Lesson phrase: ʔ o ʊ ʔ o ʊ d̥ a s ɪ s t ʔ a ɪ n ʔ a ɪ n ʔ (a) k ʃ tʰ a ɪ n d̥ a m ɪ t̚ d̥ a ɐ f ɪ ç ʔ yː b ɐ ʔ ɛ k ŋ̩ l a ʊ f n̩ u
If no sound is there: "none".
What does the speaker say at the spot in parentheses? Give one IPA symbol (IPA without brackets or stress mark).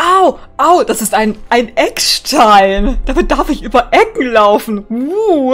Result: ɛ